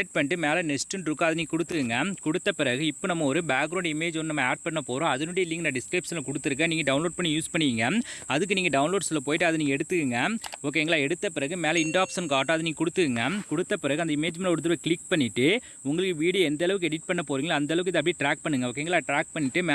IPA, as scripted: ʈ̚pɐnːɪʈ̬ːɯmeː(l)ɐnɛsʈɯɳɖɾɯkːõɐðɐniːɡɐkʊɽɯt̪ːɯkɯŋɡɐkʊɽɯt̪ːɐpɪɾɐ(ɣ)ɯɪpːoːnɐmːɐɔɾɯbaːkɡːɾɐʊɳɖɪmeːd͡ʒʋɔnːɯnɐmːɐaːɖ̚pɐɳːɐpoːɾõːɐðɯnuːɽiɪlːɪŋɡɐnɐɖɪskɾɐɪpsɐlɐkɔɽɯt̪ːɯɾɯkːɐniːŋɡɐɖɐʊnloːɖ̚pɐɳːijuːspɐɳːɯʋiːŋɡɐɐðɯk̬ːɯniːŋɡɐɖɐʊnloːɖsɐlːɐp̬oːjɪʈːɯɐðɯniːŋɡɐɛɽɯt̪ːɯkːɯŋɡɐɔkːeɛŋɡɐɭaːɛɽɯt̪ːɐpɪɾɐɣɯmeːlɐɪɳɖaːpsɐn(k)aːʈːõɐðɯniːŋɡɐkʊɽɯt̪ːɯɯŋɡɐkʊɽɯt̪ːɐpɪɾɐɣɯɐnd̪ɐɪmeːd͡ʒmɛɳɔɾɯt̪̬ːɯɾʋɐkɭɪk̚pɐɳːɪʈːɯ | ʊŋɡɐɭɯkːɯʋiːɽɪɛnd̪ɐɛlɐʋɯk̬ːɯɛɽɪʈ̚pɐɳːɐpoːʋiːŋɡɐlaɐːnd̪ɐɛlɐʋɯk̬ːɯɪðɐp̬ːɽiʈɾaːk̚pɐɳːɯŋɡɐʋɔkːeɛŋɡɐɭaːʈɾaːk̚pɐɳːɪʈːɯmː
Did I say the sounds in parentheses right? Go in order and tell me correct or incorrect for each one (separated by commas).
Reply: correct, correct, correct